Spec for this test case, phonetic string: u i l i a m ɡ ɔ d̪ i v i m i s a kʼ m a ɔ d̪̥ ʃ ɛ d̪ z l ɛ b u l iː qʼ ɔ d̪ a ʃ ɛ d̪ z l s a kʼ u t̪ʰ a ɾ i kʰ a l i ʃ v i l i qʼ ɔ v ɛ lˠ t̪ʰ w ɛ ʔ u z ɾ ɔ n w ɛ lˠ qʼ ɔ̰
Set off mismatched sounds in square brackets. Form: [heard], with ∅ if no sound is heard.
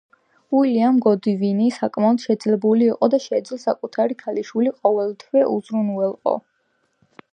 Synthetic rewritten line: u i l i a m ɡ ɔ d̪ i v i [n] i s a kʼ m a ɔ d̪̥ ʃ ɛ d̪ z l ɛ b u l iː qʼ ɔ d̪ a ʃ ɛ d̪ z l s a kʼ u t̪ʰ a ɾ i kʰ a l i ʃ [w] i l i qʼ ɔ v ɛ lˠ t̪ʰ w ɛ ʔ u z ɾ [u] n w ɛ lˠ qʼ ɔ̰

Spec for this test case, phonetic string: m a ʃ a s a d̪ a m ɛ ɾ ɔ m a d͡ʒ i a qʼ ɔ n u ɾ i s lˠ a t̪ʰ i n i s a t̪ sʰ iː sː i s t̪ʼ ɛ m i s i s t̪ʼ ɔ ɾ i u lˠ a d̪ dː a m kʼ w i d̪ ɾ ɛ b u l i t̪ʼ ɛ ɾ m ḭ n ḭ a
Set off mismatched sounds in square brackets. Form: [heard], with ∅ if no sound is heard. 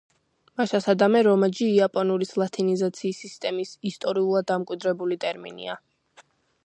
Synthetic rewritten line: m a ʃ a s a d̪ a m ɛ ɾ ɔ m a d͡ʒ [iː] a [pʼ] ɔ n u ɾ i s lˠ a t̪ʰ i n i [z] a t̪ sʰ iː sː i s t̪ʼ ɛ m i s i s t̪ʼ ɔ ɾ i u lˠ a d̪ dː a m kʼ w i d̪ ɾ ɛ b u l i t̪ʼ ɛ ɾ m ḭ n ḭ a

